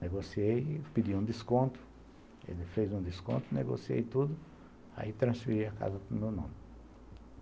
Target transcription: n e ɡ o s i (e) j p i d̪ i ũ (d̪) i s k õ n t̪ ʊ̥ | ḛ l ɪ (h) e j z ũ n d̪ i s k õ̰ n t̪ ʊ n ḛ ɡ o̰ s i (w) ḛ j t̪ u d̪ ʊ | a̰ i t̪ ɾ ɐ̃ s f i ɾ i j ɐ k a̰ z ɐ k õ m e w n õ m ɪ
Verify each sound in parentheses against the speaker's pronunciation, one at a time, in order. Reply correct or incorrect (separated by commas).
correct, correct, incorrect, incorrect